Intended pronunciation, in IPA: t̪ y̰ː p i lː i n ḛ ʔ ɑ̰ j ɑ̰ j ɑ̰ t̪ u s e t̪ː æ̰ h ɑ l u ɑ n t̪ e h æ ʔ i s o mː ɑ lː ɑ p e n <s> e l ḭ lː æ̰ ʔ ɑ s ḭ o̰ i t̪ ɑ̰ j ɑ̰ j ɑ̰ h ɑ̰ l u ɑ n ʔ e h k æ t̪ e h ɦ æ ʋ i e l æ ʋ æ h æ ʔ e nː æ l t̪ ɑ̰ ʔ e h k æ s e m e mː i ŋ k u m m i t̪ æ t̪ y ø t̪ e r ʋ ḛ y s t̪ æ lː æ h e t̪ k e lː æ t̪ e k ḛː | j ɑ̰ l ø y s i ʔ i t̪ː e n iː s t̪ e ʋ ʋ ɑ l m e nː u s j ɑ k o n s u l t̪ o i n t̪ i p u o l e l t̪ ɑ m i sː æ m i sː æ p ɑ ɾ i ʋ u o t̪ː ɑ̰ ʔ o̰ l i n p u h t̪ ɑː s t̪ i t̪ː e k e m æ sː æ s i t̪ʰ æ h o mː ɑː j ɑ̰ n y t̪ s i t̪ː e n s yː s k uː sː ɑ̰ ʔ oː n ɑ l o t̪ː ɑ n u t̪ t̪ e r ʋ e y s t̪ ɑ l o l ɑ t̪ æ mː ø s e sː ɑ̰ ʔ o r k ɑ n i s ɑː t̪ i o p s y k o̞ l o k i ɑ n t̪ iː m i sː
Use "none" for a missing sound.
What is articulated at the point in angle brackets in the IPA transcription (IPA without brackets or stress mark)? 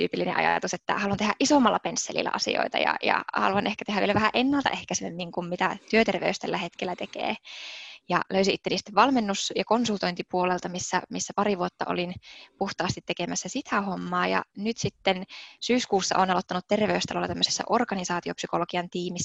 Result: sː